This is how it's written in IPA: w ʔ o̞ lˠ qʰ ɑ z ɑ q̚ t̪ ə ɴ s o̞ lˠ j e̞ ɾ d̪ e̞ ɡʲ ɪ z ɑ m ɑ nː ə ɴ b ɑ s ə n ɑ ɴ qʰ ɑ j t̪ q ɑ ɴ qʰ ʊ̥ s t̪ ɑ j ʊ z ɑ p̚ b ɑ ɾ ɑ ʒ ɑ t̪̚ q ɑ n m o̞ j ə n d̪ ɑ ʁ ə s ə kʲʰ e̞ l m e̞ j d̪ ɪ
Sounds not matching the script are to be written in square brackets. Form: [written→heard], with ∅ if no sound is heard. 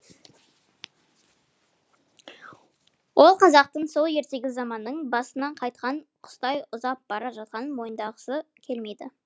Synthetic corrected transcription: w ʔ o̞ lˠ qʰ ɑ z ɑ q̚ t̪ ə ɴ s o̞ lˠ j e̞ ɾ [d̪→t̪] e̞ ɡʲ ɪ z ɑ m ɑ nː ə ɴ b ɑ s ə n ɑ ɴ qʰ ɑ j t̪ q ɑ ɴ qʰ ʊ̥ s t̪ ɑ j ʊ z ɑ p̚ b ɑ ɾ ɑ ʒ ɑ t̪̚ q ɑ n m o̞ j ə n d̪ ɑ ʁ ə s ə kʲʰ e̞ l m e̞ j d̪ ɪ